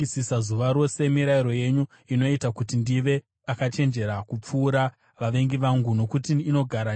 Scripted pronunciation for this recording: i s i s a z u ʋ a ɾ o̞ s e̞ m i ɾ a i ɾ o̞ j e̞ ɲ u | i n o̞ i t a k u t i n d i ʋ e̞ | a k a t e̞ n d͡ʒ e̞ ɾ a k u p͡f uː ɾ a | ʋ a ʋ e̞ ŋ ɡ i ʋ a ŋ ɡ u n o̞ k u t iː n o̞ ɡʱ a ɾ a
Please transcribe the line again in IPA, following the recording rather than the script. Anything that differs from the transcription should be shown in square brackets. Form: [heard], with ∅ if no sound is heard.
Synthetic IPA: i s i s a z u ʋ a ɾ o̞ s e̞ m i ɾ a i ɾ o̞ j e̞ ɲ u | i n o̞ i t a k u t i n d i ʋ e̞ | a k a [t͡ʃ] e̞ n d͡ʒ e̞ ɾ a k u p͡f uː ɾ a | ʋ a ʋ e̞ ŋ ɡ i ʋ a ŋ ɡ u n o̞ k u t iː n o̞ ɡʱ a ɾ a